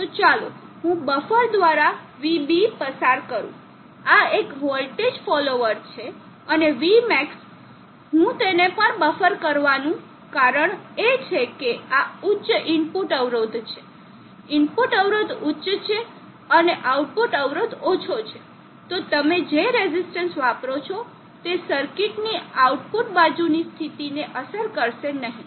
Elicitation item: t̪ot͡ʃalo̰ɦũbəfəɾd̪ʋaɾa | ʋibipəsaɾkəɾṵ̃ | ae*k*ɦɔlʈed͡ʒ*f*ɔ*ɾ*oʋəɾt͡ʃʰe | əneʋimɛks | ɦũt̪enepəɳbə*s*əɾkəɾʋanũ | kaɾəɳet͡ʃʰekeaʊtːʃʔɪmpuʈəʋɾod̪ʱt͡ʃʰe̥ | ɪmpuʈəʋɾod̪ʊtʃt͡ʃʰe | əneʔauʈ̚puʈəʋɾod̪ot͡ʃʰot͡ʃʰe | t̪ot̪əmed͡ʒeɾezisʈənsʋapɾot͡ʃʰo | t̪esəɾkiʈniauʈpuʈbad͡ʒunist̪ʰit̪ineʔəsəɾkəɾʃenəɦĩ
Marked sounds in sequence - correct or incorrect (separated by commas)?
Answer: correct, correct, incorrect, incorrect